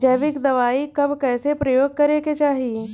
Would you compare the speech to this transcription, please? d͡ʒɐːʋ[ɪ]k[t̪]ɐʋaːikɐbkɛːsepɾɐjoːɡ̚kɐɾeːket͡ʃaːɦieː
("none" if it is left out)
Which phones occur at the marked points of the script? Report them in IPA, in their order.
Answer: ɪ, d̪

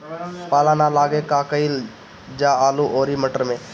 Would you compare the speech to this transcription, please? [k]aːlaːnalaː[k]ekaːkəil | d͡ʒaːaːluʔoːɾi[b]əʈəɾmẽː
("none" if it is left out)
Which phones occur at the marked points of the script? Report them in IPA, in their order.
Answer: p, ɡ, m

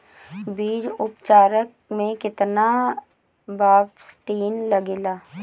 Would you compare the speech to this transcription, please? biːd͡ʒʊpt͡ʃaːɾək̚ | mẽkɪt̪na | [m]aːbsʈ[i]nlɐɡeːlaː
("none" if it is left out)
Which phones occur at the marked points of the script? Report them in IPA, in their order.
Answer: b, iː

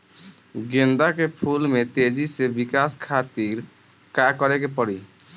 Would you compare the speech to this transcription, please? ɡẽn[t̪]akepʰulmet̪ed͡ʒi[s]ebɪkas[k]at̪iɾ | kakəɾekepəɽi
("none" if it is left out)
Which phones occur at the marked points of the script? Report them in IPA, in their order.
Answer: d̪, s, kʰ

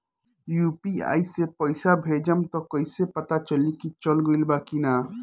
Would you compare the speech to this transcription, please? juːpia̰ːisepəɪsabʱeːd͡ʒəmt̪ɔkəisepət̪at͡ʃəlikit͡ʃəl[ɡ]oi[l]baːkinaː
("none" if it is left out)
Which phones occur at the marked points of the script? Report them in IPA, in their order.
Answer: ɡ, l

